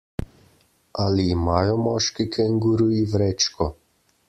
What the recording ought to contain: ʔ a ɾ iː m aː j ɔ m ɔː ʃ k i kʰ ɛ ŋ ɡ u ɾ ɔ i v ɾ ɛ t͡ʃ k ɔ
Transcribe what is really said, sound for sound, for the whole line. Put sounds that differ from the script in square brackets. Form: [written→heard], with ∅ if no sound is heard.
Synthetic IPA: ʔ a [ɾ→l] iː m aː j ɔ m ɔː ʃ k i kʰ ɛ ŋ ɡ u ɾ [ɔ→u] i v ɾ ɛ t͡ʃ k ɔ